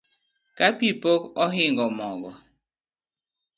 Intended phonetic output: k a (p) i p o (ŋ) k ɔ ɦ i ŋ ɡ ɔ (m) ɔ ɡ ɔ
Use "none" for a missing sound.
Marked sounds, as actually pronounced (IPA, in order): p, none, m

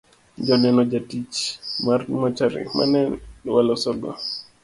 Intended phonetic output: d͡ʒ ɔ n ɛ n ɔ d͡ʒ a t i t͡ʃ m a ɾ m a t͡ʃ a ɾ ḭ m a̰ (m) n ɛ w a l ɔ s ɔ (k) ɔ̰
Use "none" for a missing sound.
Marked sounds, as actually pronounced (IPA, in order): none, ɡ

